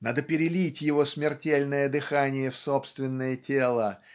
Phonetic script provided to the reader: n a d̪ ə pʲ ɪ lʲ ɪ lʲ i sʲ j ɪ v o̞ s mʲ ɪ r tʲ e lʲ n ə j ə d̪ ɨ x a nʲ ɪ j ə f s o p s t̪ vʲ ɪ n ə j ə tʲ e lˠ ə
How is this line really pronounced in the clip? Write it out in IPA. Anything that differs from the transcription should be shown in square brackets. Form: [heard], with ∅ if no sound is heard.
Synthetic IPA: n a d̪ ə pʲ ɪ [ɾʲ] ɪ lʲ i [tʲ] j ɪ v o̞ s mʲ ɪ r tʲ e lʲ n ə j ə d̪ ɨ x a nʲ ɪ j ə f s o p s t̪ vʲ ɪ [nː] ə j ə tʲ e lˠ ə

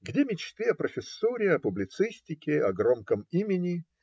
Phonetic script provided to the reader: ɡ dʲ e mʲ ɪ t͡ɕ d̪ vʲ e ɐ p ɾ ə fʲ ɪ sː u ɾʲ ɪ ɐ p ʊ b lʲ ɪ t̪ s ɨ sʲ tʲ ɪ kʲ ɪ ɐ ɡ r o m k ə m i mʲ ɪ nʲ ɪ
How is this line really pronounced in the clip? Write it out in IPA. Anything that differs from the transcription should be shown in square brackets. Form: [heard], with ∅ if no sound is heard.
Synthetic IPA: ɡ dʲ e mʲ ɪ t͡ɕ [t̪] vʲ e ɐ p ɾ ə fʲ ɪ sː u ɾʲ ɪ ɐ p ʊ b lʲ ɪ t̪ s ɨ sʲ tʲ ɪ kʲ ɪ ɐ ɡ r o m k ə m i mʲ ɪ nʲ ɪ

